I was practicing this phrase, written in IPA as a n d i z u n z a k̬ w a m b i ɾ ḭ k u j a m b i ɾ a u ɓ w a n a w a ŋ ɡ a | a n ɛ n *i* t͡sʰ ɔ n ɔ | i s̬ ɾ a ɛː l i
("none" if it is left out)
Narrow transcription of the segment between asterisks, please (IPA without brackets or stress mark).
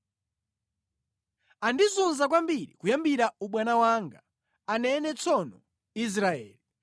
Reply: ɛ